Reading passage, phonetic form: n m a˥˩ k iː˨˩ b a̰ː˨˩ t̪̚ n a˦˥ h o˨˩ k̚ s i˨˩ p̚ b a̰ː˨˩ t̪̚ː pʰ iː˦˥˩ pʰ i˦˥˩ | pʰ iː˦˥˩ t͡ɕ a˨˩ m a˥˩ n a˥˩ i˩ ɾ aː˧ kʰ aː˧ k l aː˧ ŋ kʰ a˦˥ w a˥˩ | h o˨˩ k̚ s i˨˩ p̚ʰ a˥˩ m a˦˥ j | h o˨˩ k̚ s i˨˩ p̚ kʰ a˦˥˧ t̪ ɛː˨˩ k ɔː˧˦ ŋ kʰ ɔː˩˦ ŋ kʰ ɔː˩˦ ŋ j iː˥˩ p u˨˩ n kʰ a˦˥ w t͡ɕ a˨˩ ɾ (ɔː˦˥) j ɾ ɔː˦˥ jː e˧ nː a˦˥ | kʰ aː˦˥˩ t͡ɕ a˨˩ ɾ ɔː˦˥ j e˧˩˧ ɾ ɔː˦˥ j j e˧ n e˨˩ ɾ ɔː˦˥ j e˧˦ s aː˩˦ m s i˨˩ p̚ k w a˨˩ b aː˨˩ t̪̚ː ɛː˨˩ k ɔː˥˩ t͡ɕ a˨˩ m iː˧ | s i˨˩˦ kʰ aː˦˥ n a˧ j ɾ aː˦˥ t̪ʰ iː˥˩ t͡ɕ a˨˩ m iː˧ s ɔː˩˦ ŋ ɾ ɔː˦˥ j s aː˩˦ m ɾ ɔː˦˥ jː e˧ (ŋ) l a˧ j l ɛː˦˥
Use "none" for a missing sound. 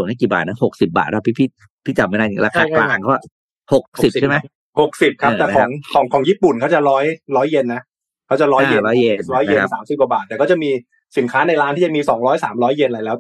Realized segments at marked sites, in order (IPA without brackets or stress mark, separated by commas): ɔː˦˥, n